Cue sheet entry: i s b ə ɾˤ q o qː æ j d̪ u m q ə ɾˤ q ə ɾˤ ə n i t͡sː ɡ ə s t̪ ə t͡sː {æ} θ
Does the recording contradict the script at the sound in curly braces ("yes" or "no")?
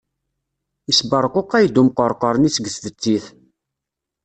yes